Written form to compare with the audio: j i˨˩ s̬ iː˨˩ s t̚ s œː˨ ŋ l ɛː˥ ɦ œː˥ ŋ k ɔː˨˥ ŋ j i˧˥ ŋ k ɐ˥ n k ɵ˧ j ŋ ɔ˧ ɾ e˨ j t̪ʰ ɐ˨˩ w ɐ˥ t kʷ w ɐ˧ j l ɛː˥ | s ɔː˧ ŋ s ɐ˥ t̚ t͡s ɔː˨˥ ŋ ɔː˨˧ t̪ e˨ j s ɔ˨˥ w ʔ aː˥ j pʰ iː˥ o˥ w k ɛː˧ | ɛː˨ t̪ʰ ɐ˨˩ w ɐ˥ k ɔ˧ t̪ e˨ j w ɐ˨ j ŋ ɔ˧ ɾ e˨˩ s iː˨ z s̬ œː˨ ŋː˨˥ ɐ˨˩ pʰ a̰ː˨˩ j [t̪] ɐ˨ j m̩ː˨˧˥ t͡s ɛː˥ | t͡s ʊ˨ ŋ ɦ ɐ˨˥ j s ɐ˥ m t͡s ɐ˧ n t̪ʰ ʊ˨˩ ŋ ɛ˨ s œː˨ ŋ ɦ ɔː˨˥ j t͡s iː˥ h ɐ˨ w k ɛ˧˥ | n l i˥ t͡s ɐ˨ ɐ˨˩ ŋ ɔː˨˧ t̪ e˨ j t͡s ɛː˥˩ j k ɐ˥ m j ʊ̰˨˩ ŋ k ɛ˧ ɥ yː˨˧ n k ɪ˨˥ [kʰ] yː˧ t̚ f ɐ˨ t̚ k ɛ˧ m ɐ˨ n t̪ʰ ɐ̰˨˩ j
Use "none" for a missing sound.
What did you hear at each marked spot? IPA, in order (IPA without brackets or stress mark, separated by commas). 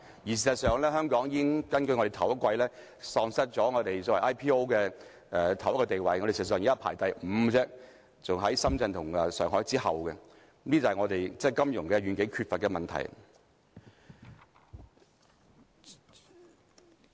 t̪, kʰ